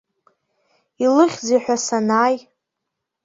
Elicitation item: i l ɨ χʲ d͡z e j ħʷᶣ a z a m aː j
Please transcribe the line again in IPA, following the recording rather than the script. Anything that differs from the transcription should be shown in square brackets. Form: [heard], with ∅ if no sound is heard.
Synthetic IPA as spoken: i l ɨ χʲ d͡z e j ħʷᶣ a [s] a [n] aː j